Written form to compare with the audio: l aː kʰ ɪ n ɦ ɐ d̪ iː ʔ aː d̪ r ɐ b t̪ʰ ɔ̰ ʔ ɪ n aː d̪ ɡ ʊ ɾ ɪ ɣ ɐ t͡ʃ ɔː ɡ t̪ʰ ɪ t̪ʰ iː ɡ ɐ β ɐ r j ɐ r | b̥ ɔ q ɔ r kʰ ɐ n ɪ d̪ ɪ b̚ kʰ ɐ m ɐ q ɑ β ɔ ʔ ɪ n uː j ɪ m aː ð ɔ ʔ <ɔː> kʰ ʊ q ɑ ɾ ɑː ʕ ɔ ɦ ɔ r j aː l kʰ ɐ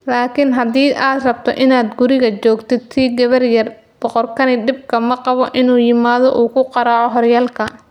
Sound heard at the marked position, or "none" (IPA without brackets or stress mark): uː